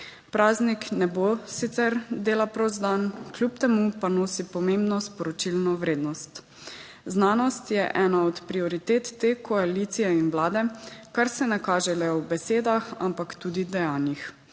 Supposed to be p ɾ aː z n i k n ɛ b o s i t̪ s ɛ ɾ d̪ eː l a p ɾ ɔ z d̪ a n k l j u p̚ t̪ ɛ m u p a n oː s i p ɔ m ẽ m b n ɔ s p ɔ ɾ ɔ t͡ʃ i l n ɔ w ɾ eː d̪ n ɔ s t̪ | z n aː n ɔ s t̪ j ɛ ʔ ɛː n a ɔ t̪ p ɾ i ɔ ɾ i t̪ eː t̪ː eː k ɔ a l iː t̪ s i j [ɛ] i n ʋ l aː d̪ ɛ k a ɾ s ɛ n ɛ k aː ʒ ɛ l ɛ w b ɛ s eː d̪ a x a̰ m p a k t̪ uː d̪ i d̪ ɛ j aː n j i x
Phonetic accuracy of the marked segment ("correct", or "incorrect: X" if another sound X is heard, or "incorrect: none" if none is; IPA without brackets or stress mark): correct